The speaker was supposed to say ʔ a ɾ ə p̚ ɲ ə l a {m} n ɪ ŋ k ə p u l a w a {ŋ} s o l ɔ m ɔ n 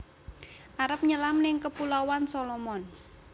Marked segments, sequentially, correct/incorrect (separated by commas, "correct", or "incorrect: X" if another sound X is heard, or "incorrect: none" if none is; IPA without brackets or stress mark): correct, incorrect: n